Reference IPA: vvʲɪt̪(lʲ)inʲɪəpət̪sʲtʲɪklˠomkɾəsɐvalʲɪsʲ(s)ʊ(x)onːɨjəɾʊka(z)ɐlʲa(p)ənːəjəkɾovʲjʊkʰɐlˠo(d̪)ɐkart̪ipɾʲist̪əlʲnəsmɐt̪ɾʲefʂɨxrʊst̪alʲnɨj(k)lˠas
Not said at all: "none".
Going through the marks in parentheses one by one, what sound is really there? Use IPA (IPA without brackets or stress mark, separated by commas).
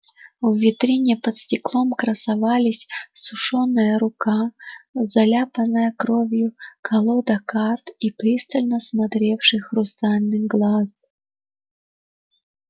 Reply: ɾʲ, s, ʂ, z, p, d̪, ɡ